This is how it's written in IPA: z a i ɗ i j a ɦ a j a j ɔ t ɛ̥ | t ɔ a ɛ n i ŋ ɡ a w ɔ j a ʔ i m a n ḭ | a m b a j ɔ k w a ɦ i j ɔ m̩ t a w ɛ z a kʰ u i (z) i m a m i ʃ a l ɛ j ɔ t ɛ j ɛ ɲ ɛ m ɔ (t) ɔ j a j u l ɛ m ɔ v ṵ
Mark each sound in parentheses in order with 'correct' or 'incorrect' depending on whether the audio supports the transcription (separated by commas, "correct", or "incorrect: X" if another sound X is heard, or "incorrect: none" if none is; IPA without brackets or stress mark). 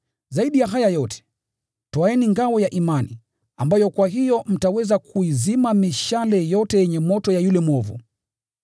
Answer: correct, correct